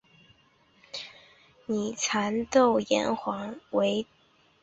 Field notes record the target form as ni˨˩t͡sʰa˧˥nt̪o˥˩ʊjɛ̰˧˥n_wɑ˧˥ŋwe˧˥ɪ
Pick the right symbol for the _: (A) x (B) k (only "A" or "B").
A